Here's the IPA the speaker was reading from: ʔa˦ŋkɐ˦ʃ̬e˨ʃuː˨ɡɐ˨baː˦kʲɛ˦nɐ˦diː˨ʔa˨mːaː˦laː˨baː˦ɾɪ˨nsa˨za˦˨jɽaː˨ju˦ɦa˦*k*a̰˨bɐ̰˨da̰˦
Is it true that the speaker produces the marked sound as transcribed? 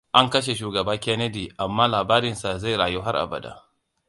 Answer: no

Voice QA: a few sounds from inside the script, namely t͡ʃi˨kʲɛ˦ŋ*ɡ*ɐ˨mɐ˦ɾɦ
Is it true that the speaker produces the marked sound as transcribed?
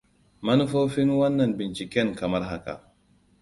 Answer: no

